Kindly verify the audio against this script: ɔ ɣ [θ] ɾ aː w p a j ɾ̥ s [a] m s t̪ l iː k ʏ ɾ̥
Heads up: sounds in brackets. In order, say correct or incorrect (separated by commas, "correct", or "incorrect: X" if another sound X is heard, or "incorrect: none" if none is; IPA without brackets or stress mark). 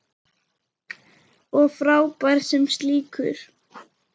incorrect: f, incorrect: ɛ